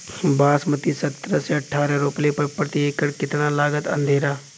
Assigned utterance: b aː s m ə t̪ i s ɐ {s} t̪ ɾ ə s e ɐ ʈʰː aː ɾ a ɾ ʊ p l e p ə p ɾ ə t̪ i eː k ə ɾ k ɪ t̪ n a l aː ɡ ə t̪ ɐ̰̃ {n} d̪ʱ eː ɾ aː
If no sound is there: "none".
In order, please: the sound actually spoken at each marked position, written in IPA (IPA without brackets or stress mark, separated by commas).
none, n